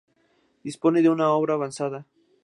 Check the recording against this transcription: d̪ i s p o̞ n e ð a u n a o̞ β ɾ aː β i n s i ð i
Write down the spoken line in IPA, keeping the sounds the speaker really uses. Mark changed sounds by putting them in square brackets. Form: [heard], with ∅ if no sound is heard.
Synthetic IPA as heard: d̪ i s p o̞ n e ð [e] u n a o̞ β ɾ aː β [a] n s [a] ð [a]